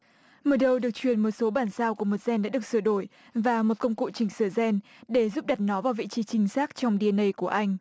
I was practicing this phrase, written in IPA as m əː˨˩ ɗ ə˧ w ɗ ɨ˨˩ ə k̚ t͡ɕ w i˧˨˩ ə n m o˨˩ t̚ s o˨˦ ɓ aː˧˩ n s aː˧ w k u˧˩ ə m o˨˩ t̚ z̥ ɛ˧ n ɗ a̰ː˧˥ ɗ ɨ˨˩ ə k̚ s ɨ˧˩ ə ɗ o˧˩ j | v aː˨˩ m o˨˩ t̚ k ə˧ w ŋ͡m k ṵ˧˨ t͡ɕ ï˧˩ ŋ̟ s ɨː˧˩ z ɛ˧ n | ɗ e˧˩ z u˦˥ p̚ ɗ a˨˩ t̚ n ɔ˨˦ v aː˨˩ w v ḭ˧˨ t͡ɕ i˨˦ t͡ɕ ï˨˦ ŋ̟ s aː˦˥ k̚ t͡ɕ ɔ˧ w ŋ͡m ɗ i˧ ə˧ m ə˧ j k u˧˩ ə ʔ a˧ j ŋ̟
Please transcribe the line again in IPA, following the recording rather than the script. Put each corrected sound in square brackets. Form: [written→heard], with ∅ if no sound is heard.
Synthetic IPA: m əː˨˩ ɗ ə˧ w ɗ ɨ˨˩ ə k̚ t͡ɕ w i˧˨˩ ə n m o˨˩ t̚ s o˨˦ ɓ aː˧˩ n s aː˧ w k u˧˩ ə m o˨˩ t̚ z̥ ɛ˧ n ɗ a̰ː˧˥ ɗ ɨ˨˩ ə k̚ s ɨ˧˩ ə ɗ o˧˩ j | v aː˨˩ m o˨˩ t̚ k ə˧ w ŋ͡m k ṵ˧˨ t͡ɕ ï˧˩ ŋ̟ s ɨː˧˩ z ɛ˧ n | ɗ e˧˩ z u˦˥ p̚ ɗ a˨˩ t̚ n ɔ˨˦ v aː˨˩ w v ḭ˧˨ t͡ɕ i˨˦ t͡ɕ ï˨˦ ŋ̟ s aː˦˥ k̚ t͡ɕ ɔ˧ w ŋ͡m ɗ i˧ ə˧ [m→n] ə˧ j k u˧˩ ə ʔ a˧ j ŋ̟